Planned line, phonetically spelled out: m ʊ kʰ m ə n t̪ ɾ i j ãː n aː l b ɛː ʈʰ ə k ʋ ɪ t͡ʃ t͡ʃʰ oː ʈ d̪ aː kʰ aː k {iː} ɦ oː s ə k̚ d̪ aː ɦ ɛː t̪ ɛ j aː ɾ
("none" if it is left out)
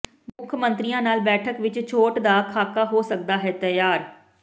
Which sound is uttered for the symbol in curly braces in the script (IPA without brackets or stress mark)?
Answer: aː